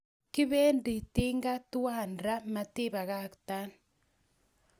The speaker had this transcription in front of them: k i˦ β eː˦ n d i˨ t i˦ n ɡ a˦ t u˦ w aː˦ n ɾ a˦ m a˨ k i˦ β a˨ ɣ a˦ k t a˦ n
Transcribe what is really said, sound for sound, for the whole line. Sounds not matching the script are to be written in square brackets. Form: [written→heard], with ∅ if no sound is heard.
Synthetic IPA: k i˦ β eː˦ n d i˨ t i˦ [n→ŋ] ɡ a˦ t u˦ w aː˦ n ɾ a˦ m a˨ [k→t] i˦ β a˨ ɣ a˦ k t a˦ n

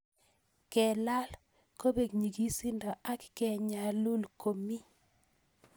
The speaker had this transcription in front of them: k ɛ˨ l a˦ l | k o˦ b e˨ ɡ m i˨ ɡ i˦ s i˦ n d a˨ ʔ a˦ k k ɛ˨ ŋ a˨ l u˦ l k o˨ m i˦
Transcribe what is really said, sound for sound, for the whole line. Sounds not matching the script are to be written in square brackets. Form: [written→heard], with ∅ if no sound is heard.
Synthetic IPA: k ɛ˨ l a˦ l | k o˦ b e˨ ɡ [m→ɲ] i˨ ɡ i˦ s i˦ n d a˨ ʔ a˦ k k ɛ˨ [ŋ→ɲ] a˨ l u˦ l k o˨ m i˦

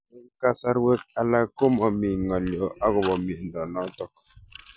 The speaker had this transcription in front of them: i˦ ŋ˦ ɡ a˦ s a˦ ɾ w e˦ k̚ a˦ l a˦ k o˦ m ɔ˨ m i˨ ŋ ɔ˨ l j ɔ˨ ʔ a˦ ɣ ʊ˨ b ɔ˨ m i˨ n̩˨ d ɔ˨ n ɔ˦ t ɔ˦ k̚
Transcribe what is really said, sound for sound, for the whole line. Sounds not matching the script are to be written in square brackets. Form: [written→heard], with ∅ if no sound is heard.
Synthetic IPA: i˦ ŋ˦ [ɡ→k] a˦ s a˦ ɾ w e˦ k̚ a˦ l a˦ k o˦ m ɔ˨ m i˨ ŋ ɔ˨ l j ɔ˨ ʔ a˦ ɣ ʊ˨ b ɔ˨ m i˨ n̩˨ d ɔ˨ n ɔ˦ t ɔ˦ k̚

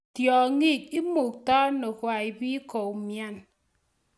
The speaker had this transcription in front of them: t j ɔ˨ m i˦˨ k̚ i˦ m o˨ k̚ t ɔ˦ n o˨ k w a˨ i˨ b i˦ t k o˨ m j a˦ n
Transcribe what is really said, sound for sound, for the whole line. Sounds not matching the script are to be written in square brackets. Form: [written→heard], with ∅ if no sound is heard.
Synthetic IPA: t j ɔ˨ [m→ŋ] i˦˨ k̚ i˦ m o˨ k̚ t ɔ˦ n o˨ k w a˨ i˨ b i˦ [t→∅] k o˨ m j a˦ n

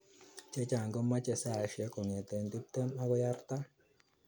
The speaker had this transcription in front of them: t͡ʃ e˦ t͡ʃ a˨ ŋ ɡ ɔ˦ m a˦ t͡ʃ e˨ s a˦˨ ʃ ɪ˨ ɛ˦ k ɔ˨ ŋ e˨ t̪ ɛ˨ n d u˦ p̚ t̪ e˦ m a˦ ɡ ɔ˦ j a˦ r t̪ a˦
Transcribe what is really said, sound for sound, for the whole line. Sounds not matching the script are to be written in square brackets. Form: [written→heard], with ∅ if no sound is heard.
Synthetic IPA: t͡ʃ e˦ t͡ʃ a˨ ŋ ɡ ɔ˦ m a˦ t͡ʃ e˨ s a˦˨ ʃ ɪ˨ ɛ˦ k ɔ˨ ŋ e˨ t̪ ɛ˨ n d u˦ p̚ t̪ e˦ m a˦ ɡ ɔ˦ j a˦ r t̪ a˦

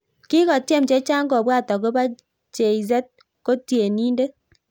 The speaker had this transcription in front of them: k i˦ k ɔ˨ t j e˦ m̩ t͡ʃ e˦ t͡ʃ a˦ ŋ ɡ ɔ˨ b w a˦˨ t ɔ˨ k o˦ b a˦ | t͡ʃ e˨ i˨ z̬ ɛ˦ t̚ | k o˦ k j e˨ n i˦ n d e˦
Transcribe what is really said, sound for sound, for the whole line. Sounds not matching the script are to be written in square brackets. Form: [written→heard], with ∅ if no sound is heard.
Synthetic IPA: k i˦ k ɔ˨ t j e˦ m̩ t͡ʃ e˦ t͡ʃ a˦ ŋ ɡ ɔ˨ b w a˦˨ t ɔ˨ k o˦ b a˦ | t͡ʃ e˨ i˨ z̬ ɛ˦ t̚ | k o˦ [k→t] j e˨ n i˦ n d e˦

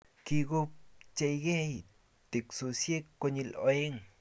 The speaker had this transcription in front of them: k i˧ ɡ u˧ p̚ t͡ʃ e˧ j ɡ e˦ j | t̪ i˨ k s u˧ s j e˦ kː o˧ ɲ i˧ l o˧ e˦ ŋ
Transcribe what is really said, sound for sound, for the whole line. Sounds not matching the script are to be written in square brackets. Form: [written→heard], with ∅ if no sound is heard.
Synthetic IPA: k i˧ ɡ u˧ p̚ t͡ʃ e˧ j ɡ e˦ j | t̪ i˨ k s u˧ s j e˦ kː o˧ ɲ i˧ l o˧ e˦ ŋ

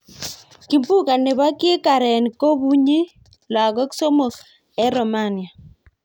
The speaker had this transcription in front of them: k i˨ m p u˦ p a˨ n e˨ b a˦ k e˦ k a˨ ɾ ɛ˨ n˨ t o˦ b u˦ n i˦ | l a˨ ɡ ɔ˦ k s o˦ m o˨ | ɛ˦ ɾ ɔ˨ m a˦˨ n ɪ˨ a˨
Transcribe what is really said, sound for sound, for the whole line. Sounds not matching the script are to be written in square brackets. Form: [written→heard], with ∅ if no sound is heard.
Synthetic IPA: k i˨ m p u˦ [p→k] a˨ n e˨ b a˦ k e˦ k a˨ ɾ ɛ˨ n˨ [t→k] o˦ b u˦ [n→ɲ] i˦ | l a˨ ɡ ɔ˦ k s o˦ m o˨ | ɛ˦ ɾ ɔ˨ m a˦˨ n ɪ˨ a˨

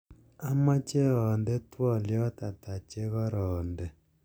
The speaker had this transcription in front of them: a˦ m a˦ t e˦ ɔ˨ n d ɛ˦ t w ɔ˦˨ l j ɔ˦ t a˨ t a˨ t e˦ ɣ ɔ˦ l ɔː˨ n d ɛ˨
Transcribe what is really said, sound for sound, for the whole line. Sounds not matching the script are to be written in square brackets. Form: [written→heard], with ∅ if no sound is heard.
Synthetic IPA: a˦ m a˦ [t→t͡ʃ] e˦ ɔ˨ n d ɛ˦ t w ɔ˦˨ l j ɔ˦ t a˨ t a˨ [t→t͡ʃ] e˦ ɣ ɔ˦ [l→ɾ] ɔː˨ n d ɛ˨

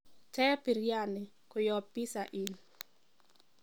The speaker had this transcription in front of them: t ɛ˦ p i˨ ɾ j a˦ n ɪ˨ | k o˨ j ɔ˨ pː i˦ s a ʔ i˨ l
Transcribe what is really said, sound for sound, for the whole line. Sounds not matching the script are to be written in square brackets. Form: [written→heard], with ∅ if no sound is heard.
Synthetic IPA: t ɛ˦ p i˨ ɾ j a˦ n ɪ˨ | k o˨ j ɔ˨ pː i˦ s a ʔ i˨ l

